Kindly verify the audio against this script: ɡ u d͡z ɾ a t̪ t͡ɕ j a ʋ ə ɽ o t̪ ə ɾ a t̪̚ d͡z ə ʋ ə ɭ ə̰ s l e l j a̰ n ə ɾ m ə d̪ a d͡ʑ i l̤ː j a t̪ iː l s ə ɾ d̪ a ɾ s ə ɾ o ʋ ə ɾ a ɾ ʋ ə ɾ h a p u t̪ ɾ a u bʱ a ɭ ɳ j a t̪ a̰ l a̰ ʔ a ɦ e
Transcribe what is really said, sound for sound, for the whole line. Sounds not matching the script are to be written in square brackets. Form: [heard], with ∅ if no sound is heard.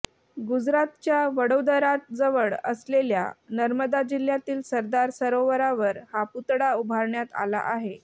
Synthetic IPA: ɡ u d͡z ɾ a t̪ t͡ɕ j a ʋ ə ɽ o [d̪] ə ɾ a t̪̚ d͡z ə ʋ ə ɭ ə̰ s l e l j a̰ n ə ɾ m ə d̪ a d͡ʑ i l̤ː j a t̪ iː l s ə ɾ d̪ a ɾ s ə ɾ o ʋ ə ɾ a [∅] ʋ ə ɾ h a p u t̪ [ɽ] a u bʱ a [ɾ] ɳ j a t̪ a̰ l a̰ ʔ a ɦ e